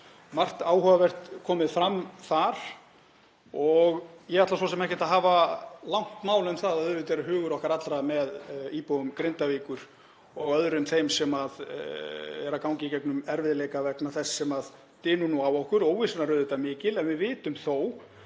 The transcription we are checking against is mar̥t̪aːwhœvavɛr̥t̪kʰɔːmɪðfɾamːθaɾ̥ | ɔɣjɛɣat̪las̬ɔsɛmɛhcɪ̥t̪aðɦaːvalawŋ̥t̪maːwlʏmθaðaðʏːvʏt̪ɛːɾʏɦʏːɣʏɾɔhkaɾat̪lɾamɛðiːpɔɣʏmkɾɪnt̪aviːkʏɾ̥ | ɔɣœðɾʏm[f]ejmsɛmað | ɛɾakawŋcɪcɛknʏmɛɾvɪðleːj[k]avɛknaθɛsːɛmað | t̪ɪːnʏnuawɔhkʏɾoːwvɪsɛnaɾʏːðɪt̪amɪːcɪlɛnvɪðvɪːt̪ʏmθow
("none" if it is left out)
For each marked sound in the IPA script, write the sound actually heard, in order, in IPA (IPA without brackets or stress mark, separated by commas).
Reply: θ, k